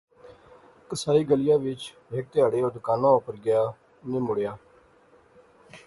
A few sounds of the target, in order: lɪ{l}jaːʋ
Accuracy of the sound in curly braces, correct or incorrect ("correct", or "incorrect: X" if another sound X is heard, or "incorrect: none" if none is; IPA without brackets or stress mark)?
incorrect: none